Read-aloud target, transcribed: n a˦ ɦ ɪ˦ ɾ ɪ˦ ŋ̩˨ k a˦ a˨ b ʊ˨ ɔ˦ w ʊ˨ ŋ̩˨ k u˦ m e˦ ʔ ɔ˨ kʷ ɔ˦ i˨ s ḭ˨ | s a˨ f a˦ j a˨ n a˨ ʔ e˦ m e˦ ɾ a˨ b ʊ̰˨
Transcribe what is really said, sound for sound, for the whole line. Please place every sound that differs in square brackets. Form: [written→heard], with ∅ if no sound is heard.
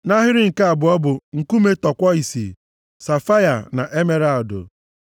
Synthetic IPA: n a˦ ɦ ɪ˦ ɾ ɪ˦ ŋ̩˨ k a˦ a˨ b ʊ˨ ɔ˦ [w→b] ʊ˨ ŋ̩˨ k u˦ m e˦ [ʔ→t] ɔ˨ kʷ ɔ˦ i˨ s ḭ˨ | s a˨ f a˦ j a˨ n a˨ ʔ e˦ m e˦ ɾ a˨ [b→d] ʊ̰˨